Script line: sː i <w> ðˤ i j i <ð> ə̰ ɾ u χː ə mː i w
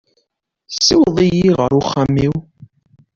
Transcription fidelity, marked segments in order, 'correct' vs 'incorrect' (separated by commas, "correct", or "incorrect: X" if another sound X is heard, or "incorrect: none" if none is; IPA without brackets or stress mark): correct, incorrect: ʁ